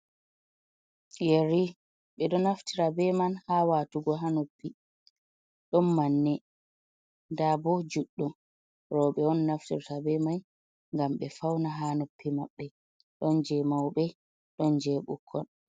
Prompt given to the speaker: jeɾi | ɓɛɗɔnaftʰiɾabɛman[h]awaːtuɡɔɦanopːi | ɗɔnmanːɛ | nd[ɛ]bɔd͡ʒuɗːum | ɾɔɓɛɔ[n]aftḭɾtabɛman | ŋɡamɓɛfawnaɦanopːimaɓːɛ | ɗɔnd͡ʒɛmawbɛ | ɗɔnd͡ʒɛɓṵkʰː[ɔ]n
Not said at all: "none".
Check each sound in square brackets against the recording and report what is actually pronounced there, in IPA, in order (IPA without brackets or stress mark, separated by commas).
h, a, nː, ɔ